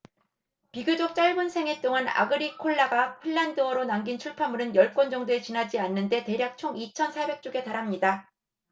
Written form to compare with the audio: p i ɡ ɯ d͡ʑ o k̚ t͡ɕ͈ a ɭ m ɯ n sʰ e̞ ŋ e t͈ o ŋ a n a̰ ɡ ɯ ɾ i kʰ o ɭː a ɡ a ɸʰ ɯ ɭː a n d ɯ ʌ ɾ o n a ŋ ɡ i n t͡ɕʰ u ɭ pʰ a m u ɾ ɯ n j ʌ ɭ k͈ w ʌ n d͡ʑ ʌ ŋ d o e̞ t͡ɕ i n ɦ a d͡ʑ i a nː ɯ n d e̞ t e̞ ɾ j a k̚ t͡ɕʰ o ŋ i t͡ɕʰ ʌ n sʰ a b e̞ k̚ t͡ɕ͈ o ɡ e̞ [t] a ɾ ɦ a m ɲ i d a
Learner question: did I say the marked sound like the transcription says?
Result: yes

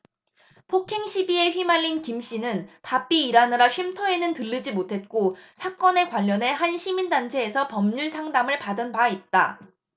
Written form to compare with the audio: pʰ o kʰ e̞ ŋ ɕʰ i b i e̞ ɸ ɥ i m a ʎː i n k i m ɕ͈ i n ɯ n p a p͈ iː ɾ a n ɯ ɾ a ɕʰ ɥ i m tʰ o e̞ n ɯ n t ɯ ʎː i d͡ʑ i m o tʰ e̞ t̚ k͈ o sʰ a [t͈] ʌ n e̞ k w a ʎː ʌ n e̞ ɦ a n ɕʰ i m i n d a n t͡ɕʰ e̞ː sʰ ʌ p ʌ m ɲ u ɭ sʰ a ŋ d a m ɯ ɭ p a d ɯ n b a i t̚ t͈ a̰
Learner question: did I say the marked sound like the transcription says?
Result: no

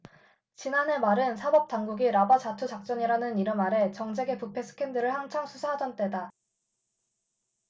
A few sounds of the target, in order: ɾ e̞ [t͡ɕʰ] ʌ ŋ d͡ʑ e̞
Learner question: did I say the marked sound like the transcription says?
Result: no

